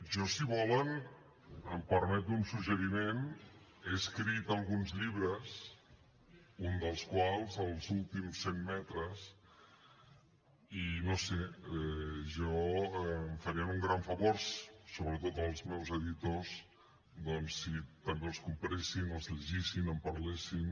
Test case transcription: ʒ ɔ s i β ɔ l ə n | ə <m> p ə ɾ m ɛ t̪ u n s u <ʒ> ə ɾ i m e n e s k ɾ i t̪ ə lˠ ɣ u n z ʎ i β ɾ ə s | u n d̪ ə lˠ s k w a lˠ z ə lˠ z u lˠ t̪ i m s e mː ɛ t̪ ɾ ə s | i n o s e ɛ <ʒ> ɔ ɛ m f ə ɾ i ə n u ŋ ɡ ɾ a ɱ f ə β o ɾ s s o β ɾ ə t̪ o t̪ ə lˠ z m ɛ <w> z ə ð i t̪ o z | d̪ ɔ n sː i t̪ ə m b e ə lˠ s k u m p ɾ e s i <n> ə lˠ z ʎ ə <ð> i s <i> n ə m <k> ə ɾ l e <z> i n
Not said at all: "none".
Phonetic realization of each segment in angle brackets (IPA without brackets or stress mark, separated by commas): m, ʒ, ʒ, w, n, ʒ, i, p, s